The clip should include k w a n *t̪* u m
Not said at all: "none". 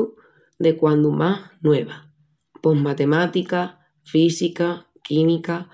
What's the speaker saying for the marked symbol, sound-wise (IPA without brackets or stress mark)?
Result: d̪